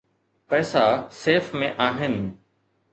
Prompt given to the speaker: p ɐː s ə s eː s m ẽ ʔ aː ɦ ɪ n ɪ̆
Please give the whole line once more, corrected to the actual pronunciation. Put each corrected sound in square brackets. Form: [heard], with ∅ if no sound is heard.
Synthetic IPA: p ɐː s [a] s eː [f] m ẽ ʔ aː ɦ ɪ n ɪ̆